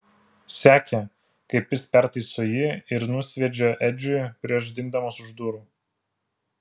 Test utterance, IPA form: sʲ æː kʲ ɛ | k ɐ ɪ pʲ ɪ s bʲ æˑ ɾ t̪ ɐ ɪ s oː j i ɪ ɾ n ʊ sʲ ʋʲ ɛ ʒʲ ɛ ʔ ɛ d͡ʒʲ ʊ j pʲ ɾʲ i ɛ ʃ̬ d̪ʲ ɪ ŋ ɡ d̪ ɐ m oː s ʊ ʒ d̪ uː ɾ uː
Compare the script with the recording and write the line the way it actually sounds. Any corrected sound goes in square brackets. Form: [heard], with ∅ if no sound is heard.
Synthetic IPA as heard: sʲ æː kʲ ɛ | k ɐ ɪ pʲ ɪ s [pʲ] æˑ ɾ t̪ ɐ ɪ s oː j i ɪ ɾ n ʊ sʲ ʋʲ ɛ [d͡ʒʲ] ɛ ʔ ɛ d͡ʒʲ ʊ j pʲ ɾʲ i ɛ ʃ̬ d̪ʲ ɪ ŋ ɡ d̪ ɐ m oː s ʊ ʒ d̪ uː ɾ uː